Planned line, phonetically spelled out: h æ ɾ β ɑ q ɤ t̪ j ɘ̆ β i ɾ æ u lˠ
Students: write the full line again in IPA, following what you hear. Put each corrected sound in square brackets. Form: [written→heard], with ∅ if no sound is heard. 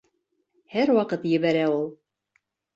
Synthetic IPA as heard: h æ ɾ [β→w] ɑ q ɤ t̪ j ɘ̆ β [i→æ] ɾ æ u lˠ